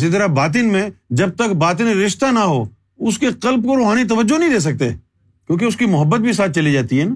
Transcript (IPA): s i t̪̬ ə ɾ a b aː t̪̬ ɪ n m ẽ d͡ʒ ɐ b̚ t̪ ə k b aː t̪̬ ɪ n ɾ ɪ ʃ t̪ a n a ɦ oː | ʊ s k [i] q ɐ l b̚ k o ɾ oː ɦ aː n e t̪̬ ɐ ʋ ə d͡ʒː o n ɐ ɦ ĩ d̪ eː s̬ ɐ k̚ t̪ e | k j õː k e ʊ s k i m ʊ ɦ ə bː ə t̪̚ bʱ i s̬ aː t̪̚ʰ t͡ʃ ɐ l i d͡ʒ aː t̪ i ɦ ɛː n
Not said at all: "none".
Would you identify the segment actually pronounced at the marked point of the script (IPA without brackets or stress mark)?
e